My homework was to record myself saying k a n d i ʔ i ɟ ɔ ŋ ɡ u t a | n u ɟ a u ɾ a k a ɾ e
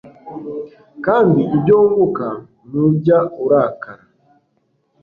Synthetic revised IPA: k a n d i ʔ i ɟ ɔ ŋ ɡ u k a | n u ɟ a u ɾ a k a ɾ a

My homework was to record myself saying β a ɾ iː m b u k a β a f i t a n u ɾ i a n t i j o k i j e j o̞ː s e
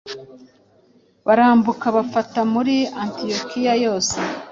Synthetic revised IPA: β a ɾ aː m b u k a β a f a t a m u ɾ i a n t i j o k i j a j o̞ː s e

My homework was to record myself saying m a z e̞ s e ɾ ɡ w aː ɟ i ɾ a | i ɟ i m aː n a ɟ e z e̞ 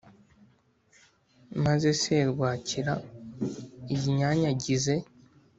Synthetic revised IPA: m a z e̞ s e ɾ ɡ w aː c i ɾ a | i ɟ i ɲ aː ɲ a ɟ i z e̞

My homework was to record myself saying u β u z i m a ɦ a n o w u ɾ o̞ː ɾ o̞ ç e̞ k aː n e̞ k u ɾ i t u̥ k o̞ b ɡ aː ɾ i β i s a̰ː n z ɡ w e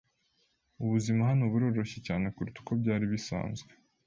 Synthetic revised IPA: u β u z i m a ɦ a n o β u ɾ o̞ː ɾ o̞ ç e̞ c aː n e̞ k u ɾ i t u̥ k o̞ b ɟ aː ɾ i β i s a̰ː n z ɡ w e

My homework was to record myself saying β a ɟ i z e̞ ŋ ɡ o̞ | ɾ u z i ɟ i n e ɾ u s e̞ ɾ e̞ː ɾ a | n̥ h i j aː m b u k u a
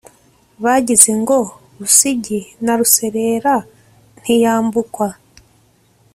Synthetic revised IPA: β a ɟ i z e̞ ŋ ɡ o̞ | ɾ u s i ɟ i n a ɾ u s e̞ ɾ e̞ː ɾ a | n̥ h i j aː m b u k w a

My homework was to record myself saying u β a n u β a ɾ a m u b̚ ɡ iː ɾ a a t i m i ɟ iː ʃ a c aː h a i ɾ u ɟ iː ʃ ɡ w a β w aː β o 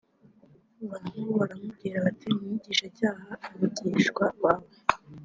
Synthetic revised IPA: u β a n u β a ɾ a m u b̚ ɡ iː ɾ a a t i m i ɟ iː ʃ a c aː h a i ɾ u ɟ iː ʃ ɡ w a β w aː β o

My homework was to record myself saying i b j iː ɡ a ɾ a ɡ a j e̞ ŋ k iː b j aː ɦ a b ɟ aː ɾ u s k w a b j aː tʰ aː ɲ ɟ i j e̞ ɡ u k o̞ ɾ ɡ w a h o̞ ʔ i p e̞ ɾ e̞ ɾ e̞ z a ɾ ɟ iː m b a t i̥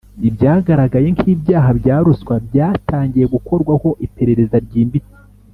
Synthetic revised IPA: i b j aː ɡ a ɾ a ɡ a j e̞ ŋ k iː b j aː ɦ a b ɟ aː ɾ u s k w a b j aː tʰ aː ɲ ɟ i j e̞ ɡ u k o̞ ɾ ɡ w a h o̞ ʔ i p e̞ ɾ e̞ ɾ e̞ z a ɾ ɟ iː m b i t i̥

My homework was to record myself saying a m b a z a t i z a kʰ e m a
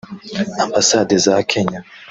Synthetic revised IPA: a m b a s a d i z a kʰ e ɲ a

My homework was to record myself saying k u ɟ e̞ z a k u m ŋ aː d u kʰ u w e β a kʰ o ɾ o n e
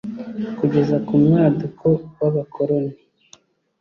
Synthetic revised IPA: k u ɟ e̞ z a k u m ŋ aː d u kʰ o w a β a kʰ o ɾ o n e

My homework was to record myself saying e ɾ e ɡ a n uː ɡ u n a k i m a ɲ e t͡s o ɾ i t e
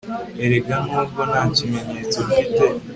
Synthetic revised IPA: e ɾ e ɡ a n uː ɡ o n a c i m e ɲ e t͡s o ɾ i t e

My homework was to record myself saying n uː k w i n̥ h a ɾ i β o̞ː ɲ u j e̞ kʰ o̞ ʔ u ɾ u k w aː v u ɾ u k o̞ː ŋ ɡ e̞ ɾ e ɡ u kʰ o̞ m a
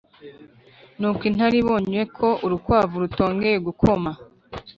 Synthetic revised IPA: n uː k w i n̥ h a ɾ i β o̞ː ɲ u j e̞ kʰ o̞ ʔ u ɾ u k w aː v u ɾ u t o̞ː ŋ ɡ e̞ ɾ e ɡ u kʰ o̞ m a

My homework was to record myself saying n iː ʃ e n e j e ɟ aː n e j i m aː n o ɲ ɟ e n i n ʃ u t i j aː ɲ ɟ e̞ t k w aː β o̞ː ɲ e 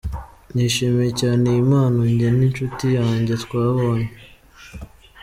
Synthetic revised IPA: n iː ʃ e m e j e c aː n e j i m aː n o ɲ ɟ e n i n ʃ u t i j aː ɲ ɟ e̞ t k w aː β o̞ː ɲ e

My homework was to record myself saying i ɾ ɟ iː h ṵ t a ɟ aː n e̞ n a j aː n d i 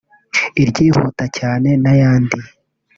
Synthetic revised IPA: i ɾ ɟ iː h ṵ t a c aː n e̞ n a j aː n d i

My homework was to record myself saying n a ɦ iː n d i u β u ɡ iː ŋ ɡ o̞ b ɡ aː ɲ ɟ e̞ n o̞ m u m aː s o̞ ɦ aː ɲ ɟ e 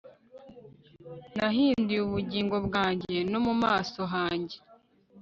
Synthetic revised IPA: n a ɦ iː n d i u β u ɟ iː ŋ ɡ o̞ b ɡ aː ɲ ɟ e̞ n o̞ m u m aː s o̞ ɦ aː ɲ ɟ e

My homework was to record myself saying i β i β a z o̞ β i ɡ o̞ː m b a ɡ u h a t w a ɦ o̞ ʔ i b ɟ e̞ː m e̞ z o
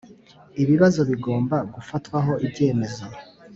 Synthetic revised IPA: i β i β a z o̞ β i ɡ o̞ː m b a ɡ u f a t w a ɦ o̞ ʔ i b ɟ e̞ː m e̞ z o

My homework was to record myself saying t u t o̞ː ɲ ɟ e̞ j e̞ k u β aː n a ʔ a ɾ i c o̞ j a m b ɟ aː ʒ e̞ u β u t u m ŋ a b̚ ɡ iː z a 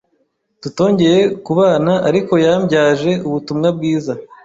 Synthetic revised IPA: t u t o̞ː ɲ ɟ e̞ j e̞ k u β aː n a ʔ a ɾ i k o̞ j a m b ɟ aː ʒ e̞ u β u t u m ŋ a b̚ ɡ iː z a

